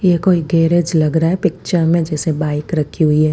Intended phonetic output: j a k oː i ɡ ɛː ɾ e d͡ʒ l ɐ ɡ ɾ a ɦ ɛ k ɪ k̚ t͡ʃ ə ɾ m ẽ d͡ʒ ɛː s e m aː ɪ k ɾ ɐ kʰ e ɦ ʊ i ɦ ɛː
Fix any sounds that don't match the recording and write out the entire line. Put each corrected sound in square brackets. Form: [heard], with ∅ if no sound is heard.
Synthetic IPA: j [e] k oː i ɡ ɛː ɾ e d͡ʒ l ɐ ɡ ɾ a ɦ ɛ [p] ɪ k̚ t͡ʃ ə ɾ m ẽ d͡ʒ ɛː s e [b] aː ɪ k ɾ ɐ kʰ [i] ɦ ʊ i ɦ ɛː